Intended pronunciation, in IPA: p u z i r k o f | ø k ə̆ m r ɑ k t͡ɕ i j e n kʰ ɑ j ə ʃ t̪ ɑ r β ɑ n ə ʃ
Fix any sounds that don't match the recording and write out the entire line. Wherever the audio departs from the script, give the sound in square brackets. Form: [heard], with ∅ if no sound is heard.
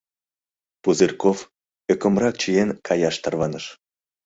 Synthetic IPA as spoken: p u z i r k o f | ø k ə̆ m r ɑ k t͡ɕ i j e n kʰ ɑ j [ɑ] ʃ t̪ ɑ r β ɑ n ə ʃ